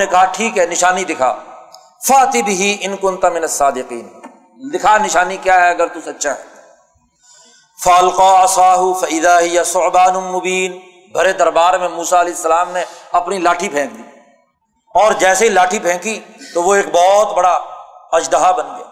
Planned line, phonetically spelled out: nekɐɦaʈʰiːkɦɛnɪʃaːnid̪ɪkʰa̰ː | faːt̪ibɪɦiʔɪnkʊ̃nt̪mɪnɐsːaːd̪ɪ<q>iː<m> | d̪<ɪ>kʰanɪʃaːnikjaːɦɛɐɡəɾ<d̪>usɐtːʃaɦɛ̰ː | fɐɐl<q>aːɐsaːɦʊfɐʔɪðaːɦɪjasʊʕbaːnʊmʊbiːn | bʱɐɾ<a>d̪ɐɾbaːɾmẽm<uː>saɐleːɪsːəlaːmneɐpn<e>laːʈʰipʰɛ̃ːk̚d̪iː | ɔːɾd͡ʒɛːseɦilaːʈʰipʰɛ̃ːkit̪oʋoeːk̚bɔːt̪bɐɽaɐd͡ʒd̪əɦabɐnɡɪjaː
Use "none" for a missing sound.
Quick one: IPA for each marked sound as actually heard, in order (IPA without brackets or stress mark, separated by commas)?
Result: q, n, ɪ, t̪, q, e, uː, i